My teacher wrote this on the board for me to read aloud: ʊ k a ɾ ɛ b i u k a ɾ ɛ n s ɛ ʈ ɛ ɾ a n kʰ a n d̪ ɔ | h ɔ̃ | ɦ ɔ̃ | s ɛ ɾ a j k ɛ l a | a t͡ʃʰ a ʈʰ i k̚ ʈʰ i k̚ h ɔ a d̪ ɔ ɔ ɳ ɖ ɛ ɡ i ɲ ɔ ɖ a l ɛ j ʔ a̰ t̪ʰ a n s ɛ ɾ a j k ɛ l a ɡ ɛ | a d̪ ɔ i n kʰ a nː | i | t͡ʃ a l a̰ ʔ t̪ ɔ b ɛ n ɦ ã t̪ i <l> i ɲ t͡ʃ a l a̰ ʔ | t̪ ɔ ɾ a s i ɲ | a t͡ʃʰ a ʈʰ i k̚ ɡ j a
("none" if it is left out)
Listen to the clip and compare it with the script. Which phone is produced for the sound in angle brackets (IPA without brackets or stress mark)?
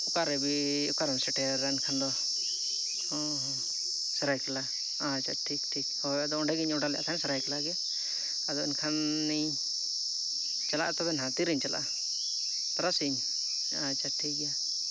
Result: ɾ